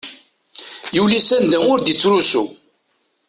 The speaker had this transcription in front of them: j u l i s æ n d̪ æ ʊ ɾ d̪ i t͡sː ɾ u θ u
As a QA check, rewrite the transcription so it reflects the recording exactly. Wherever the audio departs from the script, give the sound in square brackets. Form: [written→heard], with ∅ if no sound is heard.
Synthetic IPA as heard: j u l i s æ n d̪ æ ʊ ɾ d̪ i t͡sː ɾ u [θ→s] u